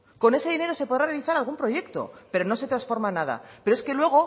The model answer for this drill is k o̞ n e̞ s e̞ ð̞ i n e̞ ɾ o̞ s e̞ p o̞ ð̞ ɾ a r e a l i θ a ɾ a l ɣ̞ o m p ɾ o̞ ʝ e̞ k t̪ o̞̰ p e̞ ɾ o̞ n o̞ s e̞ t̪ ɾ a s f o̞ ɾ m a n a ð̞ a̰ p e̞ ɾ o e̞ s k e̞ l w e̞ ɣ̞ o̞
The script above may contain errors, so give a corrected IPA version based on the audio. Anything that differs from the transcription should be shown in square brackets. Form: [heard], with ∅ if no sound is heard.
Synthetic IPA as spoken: k o̞ n e̞ s e̞ ð̞ i n e̞ ɾ o̞ s e̞ p o̞ ð̞ ɾ a r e a l i θ a ɾ a l ɣ̞ [u] m p ɾ o̞ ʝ e̞ k t̪ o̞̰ p e̞ ɾ o̞ n o̞ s e̞ t̪ ɾ a s f o̞ ɾ m a n a ð̞ a̰ p e̞ ɾ o e̞ s k e̞ l w e̞ ɣ̞ o̞